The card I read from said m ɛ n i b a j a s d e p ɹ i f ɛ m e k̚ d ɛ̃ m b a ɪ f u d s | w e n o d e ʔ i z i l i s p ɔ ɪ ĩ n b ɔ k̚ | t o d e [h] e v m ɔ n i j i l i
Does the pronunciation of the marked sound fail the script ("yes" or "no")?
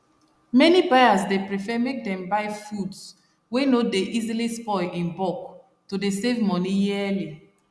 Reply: yes